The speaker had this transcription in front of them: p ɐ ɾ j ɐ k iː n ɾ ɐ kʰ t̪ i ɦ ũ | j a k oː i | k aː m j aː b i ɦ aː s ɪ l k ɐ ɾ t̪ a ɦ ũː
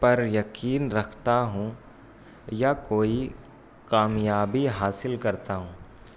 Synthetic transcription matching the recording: p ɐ ɾ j ɐ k iː n ɾ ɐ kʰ t̪ a ɦ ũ | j a k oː i | k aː m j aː b i ɦ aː s ɪ l k ɐ ɾ t̪ a ɦ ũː